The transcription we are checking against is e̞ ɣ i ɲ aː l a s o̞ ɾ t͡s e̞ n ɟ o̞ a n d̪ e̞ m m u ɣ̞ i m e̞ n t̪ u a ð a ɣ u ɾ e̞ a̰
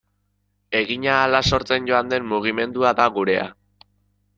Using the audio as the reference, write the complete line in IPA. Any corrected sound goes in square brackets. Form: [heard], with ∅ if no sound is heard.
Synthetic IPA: e̞ ɣ i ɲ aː l a s o̞ ɾ t͡s e̞ n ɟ o̞ a n d̪ e̞ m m u ɣ̞ i m e̞ n [d̪] u a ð a ɣ u ɾ e̞ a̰

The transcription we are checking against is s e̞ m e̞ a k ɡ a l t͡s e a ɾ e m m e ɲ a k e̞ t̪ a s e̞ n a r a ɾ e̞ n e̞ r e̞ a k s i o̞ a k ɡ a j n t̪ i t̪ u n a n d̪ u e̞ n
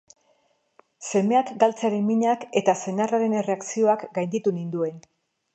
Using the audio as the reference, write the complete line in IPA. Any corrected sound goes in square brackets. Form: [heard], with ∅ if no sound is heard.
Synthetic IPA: s e̞ m e̞ a k ɡ a l t͡s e a ɾ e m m [i] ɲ a k e̞ t̪ a s e̞ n a r a ɾ e̞ n e̞ r e̞ a k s i o̞ a k ɡ a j n [d̪] i t̪ u n [i] n d̪ u e̞ n

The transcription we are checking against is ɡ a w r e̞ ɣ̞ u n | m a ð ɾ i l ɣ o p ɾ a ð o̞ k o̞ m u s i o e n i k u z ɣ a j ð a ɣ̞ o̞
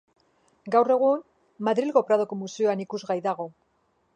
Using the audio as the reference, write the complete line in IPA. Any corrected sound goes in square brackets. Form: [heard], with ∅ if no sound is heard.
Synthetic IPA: ɡ a w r e̞ ɣ̞ u n | m a ð ɾ i l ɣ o p ɾ a ð o̞ k o̞ m u s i o [a] n i k u z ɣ a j ð a ɣ̞ o̞

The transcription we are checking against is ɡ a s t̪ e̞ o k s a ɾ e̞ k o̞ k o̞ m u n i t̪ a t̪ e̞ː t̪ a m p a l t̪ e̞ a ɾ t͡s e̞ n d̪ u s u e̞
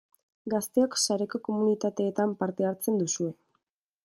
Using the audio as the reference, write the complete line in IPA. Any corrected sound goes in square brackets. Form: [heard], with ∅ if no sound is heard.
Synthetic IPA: ɡ a s t̪ e̞ o k s a ɾ e̞ k o̞ k o̞ m u n i t̪ a t̪ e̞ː t̪ a m p a [ɾ] t̪ e̞ a ɾ t͡s e̞ n d̪ u s u e̞

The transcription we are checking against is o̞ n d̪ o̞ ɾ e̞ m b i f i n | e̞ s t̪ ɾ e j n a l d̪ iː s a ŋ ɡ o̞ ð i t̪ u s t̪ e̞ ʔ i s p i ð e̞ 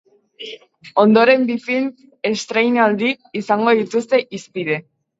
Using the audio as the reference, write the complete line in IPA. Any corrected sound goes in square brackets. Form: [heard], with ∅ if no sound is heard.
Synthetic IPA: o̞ n d̪ o̞ ɾ e̞ m b i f i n | e̞ s t̪ ɾ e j n a l d̪ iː s a ŋ ɡ o̞ ð i t̪ u s t̪ e̞ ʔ i s p i ð e̞

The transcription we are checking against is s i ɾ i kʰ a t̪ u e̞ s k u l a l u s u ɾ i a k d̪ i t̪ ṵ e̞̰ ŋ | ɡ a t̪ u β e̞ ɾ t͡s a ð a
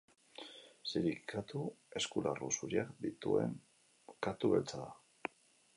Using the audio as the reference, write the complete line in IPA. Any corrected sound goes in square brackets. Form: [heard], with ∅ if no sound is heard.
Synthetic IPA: s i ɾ i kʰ a t̪ u e̞ s k u l a [r] u s u ɾ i a k d̪ i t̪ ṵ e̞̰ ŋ | [k] a t̪ u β e̞ [l] t͡s a ð a

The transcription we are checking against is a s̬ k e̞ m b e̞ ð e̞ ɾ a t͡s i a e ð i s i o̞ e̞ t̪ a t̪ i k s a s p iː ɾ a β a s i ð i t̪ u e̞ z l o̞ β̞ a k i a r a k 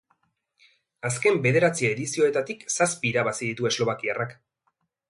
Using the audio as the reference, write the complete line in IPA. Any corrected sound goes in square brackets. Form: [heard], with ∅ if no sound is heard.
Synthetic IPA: a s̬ k e̞ m b e̞ ð e̞ ɾ a t͡s i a e ð i s i o̞ e̞ t̪ a t̪ i k s a s p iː ɾ a β a s i ð i t̪ u e̞ z l o̞ β̞ a k i a r a k

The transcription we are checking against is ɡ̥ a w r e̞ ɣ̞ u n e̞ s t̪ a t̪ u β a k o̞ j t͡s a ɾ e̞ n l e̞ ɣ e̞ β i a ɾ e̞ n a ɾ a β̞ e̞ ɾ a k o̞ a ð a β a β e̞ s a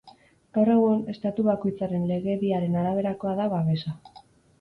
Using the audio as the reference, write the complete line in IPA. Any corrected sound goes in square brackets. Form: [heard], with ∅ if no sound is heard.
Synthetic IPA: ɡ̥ a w r e̞ ɣ̞ u n e̞ s t̪ a t̪ u β a k o̞ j t͡s a ɾ e̞ n l e̞ ɣ e̞ β i a ɾ e̞ n a ɾ a β̞ e̞ ɾ a k o̞ a ð a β a β e̞ s a

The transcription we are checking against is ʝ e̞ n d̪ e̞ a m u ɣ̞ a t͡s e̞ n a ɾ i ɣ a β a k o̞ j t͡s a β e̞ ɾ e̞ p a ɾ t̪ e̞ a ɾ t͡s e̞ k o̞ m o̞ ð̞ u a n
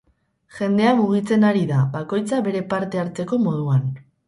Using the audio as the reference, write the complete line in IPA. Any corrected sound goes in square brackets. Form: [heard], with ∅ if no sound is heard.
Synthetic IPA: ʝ e̞ n d̪ e̞ a m u ɣ̞ [i] t͡s e̞ n a ɾ i [ð] a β a k o̞ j t͡s a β e̞ ɾ e̞ p a ɾ t̪ e̞ a ɾ t͡s e̞ k o̞ m o̞ ð̞ u a n

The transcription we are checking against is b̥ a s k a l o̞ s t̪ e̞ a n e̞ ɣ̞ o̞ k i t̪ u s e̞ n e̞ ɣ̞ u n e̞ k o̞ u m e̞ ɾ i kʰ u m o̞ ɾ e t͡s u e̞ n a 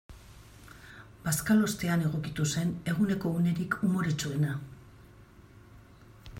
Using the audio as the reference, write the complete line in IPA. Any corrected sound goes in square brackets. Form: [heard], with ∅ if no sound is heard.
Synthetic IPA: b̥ a s k a l o̞ s t̪ e̞ a n e̞ ɣ̞ o̞ k i t̪ u s e̞ n e̞ ɣ̞ u n e̞ k o̞ u [n] e̞ ɾ i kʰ u m o̞ ɾ e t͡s u e̞ n a

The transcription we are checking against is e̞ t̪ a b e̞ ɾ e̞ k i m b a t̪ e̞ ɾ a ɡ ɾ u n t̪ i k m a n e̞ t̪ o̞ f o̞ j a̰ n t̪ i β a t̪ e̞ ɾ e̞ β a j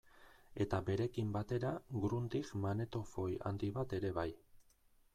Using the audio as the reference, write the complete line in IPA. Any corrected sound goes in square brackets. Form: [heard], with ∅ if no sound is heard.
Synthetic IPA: e̞ t̪ a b e̞ ɾ e̞ k i m b a t̪ e̞ ɾ a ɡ ɾ u n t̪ i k m a n e̞ t̪ o̞ f o̞ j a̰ n [d̪] i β a t̪ e̞ ɾ e̞ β a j

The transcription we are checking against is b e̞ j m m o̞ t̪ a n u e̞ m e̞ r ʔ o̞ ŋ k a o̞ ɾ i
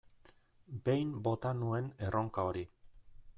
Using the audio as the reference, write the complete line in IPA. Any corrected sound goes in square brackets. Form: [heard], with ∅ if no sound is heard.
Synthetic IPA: b e̞ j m [b] o̞ t̪ a n u e̞ [n] e̞ r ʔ o̞ ŋ k a o̞ ɾ i

